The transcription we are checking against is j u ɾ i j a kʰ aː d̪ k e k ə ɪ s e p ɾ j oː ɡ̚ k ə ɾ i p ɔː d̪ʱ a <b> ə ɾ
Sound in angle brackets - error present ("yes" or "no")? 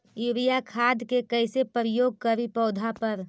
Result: yes